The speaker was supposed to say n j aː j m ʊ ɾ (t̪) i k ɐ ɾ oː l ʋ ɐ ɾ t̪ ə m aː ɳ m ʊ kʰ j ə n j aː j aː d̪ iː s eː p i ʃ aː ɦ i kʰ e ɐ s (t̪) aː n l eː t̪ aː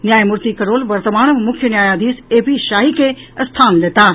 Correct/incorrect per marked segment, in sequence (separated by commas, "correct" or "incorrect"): correct, incorrect